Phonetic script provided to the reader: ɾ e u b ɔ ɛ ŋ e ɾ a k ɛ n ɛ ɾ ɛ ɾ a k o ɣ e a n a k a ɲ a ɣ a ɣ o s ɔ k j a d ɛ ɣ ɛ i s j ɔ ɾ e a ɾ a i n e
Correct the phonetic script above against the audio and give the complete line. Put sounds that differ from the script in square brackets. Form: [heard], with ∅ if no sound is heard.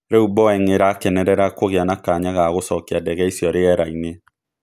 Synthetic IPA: ɾ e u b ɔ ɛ ŋ e ɾ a k ɛ n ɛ ɾ ɛ ɾ a k o ɣ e a n a k a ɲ a ɣ a ɣ o s ɔ k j a d ɛ ɣ ɛ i s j ɔ ɾ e [ɛ] ɾ a i n e